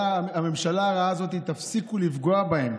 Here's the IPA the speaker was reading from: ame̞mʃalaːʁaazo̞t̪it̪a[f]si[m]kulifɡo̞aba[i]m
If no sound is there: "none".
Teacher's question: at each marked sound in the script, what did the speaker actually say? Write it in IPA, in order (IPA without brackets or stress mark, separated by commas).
f, none, e